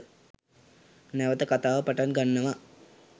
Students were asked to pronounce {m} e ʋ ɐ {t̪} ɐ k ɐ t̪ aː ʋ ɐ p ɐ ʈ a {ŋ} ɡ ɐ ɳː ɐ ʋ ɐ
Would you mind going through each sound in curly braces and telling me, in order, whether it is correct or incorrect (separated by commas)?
incorrect, correct, incorrect